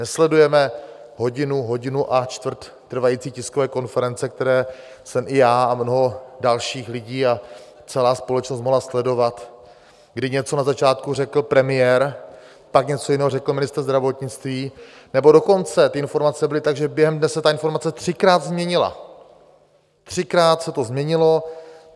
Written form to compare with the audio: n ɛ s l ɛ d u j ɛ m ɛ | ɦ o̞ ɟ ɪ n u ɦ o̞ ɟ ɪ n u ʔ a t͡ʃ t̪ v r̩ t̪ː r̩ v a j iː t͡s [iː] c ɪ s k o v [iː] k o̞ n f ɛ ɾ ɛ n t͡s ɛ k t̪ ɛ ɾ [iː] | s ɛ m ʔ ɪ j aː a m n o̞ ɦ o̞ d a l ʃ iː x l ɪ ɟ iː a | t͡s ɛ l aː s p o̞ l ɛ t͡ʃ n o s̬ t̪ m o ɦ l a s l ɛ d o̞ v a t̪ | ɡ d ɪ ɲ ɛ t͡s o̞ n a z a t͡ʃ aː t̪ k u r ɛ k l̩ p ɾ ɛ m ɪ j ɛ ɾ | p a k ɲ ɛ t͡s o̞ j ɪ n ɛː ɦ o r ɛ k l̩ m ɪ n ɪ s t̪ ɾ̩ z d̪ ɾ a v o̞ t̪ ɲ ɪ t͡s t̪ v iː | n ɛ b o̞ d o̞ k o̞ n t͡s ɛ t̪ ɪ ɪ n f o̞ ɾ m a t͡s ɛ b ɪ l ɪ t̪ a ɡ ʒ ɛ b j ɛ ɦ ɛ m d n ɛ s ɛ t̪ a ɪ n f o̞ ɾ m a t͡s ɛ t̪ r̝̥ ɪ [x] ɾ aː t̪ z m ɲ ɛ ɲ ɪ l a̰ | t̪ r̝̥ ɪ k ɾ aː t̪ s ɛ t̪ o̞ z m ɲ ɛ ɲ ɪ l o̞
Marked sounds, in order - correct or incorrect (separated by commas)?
correct, incorrect, incorrect, incorrect